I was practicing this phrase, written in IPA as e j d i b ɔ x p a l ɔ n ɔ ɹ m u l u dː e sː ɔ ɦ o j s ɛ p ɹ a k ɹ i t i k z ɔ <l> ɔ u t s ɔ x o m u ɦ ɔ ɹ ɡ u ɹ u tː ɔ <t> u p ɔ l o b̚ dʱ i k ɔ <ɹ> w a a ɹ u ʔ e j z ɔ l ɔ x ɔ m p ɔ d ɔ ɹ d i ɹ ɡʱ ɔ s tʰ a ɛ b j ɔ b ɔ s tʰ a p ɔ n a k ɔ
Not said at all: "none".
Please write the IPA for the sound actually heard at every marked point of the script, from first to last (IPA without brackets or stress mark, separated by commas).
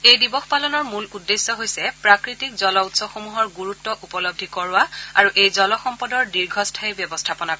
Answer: l, ʔ, ɹ